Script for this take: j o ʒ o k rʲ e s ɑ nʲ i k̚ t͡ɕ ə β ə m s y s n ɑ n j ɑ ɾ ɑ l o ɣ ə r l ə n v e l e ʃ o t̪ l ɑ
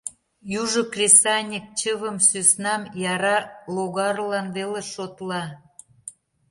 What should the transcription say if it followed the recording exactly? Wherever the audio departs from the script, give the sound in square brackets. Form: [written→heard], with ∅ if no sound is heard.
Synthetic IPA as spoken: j [o→u] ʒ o k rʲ e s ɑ nʲ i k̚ t͡ɕ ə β ə m s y s n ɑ [n→m] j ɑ ɾ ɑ l o ɣ [ə→ɑ] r l [ə→ɑ] n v e l e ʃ o t̪ l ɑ